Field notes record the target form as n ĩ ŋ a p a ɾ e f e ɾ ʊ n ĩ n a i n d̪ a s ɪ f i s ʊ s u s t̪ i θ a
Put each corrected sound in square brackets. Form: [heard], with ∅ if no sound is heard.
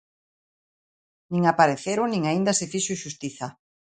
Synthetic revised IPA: n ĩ ŋ a p a ɾ e [θ] e ɾ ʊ n ĩ [ŋ] a i n d̪ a s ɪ f i [ʃ] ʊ [ʃ] u s t̪ i θ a